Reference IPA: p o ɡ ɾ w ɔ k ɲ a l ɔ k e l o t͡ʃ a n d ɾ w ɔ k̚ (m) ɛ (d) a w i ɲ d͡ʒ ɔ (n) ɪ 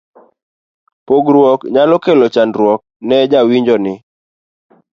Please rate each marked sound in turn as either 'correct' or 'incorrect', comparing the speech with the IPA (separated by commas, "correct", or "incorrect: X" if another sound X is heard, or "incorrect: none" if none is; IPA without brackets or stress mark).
incorrect: n, incorrect: d͡ʒ, correct